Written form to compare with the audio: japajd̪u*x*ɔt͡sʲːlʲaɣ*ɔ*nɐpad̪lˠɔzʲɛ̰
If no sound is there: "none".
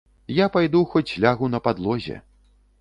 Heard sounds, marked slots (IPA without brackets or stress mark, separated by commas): x, u